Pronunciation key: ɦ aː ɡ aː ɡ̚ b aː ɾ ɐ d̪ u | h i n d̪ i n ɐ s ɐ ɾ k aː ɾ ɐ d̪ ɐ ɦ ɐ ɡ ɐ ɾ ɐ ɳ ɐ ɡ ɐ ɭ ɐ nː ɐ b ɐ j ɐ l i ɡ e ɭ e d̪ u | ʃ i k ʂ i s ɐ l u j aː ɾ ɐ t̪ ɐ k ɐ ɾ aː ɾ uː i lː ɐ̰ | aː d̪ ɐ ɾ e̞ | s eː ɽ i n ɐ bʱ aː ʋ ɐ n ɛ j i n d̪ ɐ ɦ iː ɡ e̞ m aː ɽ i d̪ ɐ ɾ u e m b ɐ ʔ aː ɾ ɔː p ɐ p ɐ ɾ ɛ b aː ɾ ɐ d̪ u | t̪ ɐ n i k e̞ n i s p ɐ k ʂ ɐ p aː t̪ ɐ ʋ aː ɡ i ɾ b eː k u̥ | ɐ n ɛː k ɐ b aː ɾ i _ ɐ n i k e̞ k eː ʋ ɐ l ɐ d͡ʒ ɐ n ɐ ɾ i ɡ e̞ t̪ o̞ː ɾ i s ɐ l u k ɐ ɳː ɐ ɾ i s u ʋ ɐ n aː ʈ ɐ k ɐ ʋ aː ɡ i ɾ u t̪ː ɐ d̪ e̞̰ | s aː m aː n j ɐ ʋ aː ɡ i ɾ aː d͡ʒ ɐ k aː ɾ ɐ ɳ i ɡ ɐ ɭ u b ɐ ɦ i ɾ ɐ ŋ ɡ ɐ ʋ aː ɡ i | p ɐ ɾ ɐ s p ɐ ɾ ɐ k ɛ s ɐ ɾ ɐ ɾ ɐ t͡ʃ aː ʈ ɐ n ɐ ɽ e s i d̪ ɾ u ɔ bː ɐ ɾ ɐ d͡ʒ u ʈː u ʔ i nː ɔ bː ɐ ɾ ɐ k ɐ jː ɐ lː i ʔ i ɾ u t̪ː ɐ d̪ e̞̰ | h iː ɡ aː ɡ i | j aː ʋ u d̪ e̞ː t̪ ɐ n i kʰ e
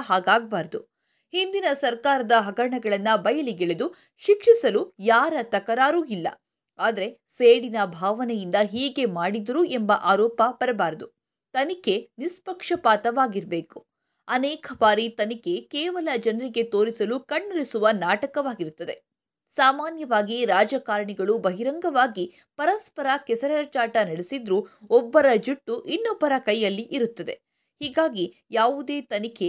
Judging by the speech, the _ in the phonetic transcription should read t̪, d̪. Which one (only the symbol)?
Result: t̪